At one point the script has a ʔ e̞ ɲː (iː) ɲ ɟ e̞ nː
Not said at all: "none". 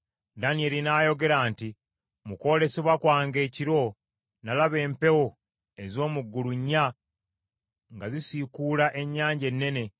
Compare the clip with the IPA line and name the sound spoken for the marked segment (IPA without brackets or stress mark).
aː